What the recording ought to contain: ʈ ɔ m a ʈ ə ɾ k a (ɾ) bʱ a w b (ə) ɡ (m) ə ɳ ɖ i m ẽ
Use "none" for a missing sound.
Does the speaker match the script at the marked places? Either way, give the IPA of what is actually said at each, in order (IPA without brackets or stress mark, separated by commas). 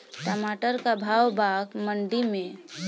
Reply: none, a, m